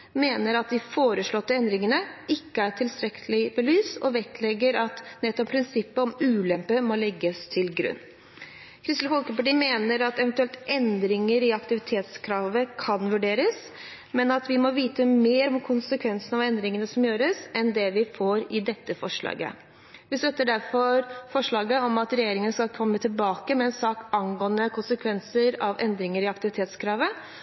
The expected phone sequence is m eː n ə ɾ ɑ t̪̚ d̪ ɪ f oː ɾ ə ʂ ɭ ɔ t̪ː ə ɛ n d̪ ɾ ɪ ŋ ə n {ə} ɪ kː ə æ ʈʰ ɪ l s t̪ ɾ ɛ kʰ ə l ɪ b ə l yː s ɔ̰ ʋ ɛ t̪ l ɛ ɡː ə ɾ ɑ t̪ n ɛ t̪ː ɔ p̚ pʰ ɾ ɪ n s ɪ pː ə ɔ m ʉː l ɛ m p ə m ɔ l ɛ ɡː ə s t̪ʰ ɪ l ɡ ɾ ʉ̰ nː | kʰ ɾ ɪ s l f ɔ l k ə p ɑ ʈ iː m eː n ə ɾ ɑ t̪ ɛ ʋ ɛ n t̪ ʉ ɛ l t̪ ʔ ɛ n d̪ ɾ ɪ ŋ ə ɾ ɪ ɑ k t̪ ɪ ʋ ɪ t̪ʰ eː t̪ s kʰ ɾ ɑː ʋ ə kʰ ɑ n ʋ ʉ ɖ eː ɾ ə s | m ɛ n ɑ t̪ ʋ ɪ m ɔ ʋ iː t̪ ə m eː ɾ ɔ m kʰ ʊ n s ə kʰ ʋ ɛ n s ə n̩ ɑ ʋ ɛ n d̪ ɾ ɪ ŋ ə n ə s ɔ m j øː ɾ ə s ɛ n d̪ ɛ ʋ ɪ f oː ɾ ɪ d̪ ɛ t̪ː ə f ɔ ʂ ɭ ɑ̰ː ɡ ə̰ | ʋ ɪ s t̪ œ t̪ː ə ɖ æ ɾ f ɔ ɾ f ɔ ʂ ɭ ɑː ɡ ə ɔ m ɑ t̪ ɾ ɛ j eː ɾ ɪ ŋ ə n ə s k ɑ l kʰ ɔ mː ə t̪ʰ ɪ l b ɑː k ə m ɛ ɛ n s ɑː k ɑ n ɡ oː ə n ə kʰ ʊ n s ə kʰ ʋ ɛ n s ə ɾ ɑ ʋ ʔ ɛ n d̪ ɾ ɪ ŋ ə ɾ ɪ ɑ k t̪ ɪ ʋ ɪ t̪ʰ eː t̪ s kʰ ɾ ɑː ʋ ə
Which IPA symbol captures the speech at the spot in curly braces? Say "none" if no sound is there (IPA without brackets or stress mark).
ə